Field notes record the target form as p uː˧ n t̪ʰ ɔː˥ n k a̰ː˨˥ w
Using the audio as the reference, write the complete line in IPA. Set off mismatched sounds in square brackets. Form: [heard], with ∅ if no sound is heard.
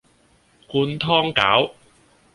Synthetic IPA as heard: [k] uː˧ n t̪ʰ ɔː˥ [ŋ] k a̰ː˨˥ w